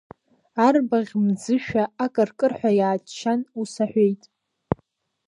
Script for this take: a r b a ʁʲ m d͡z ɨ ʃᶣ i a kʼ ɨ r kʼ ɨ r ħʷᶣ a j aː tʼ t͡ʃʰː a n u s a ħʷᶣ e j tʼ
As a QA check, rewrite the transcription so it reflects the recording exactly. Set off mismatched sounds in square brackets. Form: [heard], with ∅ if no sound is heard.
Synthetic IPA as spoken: a r b a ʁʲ m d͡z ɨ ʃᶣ [a] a kʼ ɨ r kʼ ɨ r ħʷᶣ a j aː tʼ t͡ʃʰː a n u s a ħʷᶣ e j tʼ